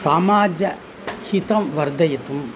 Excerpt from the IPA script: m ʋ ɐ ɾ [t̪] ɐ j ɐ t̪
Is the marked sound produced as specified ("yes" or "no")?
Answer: no